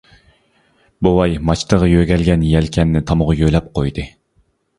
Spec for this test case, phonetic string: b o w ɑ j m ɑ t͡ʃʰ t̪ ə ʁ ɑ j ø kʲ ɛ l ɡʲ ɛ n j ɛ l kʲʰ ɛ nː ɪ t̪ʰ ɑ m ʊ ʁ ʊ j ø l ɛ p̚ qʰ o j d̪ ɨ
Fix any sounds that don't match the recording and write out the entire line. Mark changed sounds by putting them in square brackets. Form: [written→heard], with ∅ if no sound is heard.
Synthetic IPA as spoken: b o w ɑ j m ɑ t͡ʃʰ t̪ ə ʁ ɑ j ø [kʲ→ɡʲ] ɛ l ɡʲ ɛ n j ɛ l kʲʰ ɛ nː ɪ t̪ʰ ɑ m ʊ ʁ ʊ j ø l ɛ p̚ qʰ o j d̪ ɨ